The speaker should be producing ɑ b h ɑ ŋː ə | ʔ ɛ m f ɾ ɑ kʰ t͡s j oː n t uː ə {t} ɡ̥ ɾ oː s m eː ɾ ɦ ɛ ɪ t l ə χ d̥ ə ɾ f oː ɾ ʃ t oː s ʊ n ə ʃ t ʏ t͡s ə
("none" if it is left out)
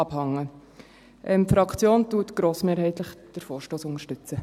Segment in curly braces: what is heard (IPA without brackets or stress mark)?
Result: t